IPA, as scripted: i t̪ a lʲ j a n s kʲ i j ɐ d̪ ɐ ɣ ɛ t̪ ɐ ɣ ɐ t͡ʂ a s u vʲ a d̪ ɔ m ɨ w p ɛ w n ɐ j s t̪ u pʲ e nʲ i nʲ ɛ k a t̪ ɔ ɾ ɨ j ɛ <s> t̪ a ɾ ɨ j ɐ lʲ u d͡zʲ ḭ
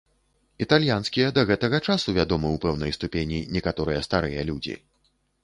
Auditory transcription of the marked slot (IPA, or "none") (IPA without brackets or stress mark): s